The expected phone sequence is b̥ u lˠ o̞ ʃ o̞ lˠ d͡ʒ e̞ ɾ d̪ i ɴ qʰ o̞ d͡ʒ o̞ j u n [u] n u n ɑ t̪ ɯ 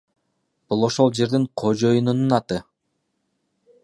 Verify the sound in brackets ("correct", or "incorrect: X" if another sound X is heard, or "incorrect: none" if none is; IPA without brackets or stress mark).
correct